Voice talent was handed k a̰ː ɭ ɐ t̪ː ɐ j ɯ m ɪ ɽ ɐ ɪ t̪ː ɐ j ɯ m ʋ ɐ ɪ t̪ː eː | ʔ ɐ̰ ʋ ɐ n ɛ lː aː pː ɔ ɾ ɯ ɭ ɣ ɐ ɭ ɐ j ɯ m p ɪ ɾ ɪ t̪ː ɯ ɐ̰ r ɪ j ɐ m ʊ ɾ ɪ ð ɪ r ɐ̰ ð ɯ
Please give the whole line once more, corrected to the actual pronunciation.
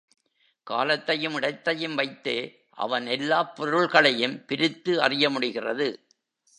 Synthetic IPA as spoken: k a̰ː l ɐ t̪ː ɐ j ɯ m ɪ ɽ ɐ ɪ t̪ː ɐ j ɯ m ʋ ɐ ɪ t̪ː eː | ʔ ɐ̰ ʋ ɐ n ɛ lː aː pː ɔ ɾ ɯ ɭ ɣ ɐ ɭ ɐ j ɯ m p ɪ ɾ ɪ t̪ː ɯ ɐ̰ r ɪ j ɐ m ʊ ɽ ɪ ɣ ɪ r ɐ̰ ð ɯ